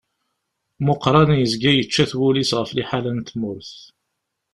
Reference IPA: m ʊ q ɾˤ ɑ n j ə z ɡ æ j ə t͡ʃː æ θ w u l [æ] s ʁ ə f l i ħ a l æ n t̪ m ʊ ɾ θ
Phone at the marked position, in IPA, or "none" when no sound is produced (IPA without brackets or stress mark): i